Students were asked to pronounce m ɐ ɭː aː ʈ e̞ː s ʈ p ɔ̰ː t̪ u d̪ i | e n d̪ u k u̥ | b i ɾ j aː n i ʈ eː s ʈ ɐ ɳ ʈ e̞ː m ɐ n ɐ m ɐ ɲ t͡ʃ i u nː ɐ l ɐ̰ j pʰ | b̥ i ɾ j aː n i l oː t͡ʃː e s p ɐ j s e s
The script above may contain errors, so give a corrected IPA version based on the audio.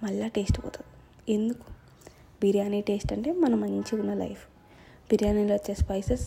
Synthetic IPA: m ɐ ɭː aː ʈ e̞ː s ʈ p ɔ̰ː t̪ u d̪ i | e n d̪ u k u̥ | b i ɾ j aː n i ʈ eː s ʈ ɐ ɳ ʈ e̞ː m ɐ n ɐ m ɐ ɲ t͡ʃ i u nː ɐ l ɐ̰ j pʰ | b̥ i ɾ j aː n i l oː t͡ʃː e s p ɐ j s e s